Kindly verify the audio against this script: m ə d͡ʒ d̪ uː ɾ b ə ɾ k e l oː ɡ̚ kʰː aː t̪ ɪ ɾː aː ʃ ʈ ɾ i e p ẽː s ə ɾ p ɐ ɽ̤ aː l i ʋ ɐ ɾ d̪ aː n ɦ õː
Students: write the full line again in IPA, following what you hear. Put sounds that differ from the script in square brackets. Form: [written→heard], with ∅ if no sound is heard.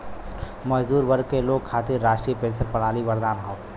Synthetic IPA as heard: m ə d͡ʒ d̪ uː ɾ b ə ɾ k e l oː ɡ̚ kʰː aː t̪ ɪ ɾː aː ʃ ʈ ɾ i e p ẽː s ə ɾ p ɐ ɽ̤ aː l i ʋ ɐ ɾ d̪ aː n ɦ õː